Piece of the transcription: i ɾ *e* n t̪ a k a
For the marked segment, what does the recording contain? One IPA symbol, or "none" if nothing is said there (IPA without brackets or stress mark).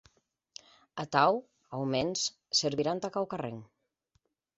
a